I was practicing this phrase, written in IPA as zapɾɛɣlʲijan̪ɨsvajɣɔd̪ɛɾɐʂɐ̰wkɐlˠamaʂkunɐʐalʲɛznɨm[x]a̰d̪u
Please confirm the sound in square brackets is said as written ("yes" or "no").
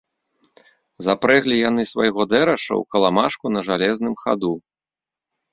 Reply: yes